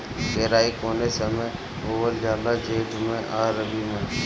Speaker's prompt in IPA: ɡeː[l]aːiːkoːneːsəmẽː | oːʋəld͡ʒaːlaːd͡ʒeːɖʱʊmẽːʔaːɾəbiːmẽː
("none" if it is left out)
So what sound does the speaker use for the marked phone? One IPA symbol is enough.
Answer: ɾ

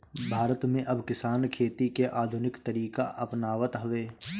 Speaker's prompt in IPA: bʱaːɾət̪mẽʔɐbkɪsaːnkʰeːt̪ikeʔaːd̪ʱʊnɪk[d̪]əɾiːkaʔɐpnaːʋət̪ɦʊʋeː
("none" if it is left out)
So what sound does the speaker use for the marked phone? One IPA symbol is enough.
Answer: t̪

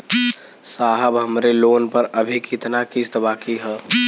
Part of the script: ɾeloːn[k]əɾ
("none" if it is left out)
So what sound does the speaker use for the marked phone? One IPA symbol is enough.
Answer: p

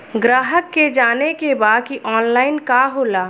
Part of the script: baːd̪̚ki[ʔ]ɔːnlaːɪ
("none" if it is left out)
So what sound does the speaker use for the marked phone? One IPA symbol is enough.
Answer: ʔ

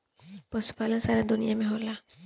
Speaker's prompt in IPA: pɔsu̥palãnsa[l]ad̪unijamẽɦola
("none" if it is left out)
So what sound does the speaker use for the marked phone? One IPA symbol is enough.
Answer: ɾ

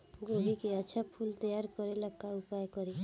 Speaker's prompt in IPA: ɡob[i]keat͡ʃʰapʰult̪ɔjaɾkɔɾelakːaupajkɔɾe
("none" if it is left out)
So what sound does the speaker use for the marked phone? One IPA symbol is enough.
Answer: i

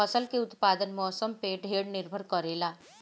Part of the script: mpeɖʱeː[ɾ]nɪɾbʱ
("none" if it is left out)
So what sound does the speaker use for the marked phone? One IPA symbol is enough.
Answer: ɽ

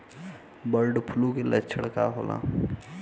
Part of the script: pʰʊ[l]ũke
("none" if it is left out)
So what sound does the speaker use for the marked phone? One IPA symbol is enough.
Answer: l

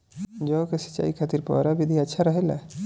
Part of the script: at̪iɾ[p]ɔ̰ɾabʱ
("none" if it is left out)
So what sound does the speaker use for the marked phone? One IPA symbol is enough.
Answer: p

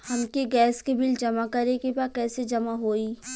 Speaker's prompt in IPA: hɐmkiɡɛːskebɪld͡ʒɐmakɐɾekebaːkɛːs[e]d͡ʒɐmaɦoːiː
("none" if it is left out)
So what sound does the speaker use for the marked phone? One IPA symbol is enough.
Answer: e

